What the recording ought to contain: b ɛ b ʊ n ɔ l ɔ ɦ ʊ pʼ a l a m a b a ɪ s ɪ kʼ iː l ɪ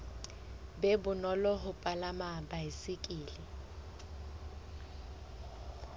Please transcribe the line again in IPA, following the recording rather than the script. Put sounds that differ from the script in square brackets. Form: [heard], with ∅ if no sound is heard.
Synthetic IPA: b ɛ b ʊ n ɔ l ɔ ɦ ʊ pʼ a l a m a b a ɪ s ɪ kʼ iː l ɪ